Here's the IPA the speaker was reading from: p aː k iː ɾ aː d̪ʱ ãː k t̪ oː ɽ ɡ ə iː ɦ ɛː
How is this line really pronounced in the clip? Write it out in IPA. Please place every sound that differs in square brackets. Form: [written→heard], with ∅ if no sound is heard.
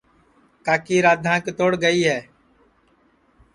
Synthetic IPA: [p→k] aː k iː ɾ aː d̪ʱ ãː k t̪ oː ɽ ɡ ə iː ɦ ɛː